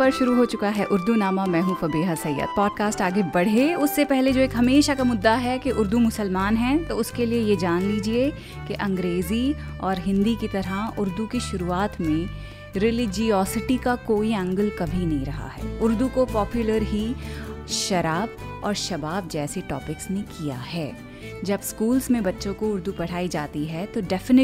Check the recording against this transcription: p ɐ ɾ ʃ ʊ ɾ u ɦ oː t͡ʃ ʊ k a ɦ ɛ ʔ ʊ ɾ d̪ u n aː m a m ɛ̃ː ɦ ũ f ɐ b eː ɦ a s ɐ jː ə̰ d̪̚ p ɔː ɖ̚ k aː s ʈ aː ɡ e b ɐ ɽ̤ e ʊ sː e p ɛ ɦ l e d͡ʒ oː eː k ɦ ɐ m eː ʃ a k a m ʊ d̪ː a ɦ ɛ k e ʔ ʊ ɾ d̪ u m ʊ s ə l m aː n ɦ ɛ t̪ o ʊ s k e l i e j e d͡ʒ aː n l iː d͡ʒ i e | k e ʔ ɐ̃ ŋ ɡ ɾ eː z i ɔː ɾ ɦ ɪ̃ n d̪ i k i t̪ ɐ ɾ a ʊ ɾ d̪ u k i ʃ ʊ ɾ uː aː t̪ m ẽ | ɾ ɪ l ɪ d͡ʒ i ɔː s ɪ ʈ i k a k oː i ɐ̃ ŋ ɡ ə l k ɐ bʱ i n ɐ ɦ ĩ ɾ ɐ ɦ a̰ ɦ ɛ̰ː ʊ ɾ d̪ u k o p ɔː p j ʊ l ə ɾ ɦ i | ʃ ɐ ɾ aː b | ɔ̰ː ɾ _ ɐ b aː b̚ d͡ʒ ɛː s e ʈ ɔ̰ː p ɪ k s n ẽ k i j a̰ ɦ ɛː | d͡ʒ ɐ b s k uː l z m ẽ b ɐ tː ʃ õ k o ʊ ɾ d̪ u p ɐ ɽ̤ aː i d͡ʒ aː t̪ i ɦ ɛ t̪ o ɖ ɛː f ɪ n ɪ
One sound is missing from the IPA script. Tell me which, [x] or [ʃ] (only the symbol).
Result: ʃ